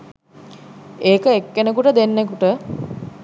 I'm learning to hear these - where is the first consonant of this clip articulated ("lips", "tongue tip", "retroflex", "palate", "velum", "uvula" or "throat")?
velum